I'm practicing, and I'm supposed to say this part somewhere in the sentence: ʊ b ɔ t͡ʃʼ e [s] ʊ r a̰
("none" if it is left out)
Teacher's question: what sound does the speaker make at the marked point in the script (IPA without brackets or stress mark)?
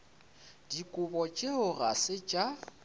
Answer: none